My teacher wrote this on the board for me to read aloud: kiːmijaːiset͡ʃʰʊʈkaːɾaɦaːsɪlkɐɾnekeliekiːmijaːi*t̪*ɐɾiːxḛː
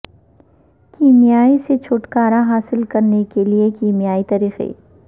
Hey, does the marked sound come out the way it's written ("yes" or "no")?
yes